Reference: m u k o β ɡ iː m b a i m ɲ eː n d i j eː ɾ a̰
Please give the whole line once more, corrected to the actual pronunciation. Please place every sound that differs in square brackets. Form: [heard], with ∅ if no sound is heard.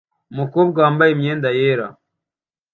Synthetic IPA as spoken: m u k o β ɡ [aː] m b a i m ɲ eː n d [a] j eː ɾ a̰